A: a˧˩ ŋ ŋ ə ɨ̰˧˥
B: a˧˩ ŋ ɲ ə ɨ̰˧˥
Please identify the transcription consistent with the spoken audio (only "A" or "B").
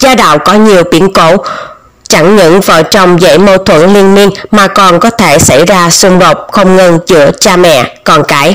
B